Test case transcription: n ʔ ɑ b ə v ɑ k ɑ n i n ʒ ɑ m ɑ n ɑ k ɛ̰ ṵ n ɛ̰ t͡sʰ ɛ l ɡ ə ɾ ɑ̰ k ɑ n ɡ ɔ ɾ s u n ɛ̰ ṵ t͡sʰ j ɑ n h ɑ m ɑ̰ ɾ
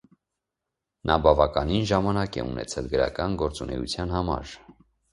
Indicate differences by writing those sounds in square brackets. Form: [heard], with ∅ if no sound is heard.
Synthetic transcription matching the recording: n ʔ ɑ b [ɑ] v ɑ k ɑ n i n ʒ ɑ m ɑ n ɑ k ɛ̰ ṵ n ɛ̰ t͡sʰ ɛ l ɡ ə ɾ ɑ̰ k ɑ n ɡ ɔ ɾ [t͡s] u n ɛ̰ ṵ t͡sʰ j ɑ n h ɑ m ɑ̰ ɾ